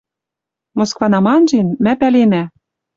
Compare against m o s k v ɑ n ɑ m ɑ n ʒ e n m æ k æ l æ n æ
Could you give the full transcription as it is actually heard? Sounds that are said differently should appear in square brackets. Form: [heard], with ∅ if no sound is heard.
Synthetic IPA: m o s k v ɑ n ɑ m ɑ n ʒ e n m æ [p] æ l [e] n æ